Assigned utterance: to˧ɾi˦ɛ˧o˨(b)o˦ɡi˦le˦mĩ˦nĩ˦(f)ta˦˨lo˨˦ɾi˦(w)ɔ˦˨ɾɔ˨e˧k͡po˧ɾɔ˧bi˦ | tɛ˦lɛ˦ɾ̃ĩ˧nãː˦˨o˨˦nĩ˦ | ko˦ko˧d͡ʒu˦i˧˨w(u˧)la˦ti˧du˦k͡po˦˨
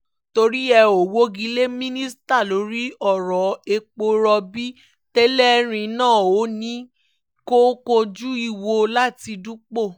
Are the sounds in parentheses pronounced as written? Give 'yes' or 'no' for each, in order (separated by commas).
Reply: no, no, no, no